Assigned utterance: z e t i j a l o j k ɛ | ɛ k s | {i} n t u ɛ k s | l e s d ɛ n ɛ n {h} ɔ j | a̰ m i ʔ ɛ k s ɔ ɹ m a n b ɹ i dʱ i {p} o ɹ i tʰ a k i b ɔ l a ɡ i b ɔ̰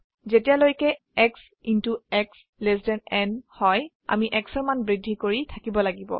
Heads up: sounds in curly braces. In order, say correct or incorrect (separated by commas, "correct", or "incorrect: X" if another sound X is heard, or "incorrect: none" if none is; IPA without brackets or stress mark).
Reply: correct, correct, incorrect: k